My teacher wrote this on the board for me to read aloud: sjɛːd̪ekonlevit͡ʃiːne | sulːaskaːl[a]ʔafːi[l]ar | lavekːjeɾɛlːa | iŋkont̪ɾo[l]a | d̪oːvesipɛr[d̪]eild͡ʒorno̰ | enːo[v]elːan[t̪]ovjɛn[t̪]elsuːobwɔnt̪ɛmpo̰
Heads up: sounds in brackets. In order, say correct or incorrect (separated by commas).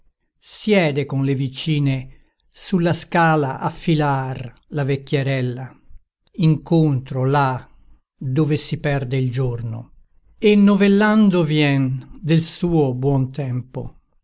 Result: correct, correct, correct, correct, correct, incorrect, incorrect